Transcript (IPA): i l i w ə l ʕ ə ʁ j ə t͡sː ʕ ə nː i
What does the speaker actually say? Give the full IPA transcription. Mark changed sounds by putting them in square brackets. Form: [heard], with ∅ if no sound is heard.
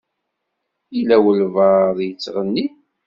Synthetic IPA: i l [æ] w ə l [v] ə [ð] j ə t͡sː [ʁ] ə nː i